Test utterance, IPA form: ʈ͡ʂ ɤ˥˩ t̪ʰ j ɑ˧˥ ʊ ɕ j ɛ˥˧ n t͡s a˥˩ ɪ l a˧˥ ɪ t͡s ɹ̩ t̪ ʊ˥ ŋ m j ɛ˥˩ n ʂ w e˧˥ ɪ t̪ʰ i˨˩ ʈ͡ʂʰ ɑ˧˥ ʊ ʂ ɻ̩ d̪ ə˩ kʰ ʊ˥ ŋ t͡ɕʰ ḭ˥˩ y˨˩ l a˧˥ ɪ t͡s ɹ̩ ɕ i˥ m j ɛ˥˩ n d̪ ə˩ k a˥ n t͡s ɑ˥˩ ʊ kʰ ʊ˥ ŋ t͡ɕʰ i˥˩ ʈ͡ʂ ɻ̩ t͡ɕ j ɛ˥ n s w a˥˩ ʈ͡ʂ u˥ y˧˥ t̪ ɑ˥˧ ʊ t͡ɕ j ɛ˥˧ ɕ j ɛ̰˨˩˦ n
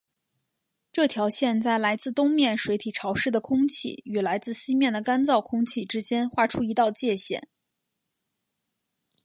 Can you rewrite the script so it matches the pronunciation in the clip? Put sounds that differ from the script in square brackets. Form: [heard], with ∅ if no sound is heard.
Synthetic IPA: ʈ͡ʂ ɤ˥˩ t̪ʰ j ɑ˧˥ ʊ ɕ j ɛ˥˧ n t͡s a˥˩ ɪ l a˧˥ ɪ t͡s ɹ̩ t̪ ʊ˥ ŋ m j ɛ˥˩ n ʂ w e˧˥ ɪ t̪ʰ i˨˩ ʈ͡ʂʰ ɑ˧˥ ʊ ʂ ɻ̩ d̪ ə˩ kʰ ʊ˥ ŋ t͡ɕʰ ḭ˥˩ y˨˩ l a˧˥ ɪ t͡s ɹ̩ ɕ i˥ m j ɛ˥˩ n d̪ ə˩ k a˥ n t͡s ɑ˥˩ ʊ kʰ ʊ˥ ŋ t͡ɕʰ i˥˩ ʈ͡ʂ ɻ̩ t͡ɕ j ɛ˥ n [x] w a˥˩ [ʈ͡ʂʰ] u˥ [i˧˥] t̪ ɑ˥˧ ʊ t͡ɕ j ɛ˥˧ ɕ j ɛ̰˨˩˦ n